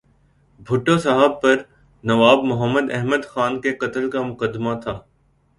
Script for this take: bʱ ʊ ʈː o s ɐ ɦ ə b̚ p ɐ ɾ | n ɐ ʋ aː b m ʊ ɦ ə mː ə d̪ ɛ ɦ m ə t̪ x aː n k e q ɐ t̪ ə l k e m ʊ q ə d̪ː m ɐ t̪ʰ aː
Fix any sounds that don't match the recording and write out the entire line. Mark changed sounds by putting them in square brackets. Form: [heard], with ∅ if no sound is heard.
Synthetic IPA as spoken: bʱ ʊ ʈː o s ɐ ɦ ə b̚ p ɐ ɾ | n ɐ ʋ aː b m ʊ ɦ ə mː ə d̪ ɛ ɦ m ə [d̪] x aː n k e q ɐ t̪ ə l k [a] m ʊ q ə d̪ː m [a] t̪ʰ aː